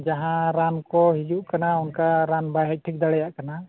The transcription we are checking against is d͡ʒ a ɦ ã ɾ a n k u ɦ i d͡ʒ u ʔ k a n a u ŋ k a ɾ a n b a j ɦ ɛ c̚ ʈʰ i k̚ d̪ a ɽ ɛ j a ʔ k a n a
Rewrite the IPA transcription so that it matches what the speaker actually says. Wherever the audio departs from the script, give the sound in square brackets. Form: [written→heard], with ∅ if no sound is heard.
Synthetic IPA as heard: d͡ʒ a ɦ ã ɾ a n k [u→ɔ] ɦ i d͡ʒ u ʔ k a n a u [ŋ→n] k a ɾ a n b a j ɦ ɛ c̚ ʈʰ i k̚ d̪ a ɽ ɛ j a ʔ k a n a